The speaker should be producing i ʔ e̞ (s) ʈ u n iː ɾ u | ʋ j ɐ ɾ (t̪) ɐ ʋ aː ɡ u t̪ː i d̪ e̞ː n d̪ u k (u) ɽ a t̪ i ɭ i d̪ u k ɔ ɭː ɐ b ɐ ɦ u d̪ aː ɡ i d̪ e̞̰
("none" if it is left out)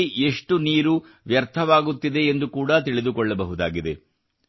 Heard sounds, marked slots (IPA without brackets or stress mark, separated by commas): ʂ, t̪ʰ, uː